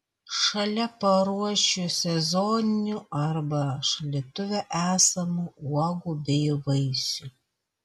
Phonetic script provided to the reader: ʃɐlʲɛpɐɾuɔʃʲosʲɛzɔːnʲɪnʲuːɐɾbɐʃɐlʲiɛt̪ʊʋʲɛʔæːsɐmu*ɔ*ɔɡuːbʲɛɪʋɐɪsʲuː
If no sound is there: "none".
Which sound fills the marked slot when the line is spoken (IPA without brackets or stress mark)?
u